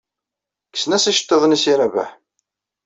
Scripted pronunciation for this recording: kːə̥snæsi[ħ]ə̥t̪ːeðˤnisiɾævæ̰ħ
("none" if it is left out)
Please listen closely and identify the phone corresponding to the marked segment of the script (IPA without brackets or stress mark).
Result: ʃ